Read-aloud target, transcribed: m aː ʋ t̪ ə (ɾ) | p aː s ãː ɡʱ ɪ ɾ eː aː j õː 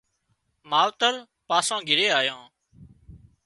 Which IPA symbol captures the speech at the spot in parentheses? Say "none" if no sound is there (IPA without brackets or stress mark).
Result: ɾ